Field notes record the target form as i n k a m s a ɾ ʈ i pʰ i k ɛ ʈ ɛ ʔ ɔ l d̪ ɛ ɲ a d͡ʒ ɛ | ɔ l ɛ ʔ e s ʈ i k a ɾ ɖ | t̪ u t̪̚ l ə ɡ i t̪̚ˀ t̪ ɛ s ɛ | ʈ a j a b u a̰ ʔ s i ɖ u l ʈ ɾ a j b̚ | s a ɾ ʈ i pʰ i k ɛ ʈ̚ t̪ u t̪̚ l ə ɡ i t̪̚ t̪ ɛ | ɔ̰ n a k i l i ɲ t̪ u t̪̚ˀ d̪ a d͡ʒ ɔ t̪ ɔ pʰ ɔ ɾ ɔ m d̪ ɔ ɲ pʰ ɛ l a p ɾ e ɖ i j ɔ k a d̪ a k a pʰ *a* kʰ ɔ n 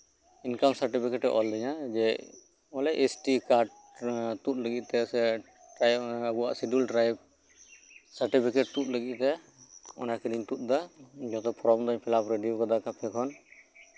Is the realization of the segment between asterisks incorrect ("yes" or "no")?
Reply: yes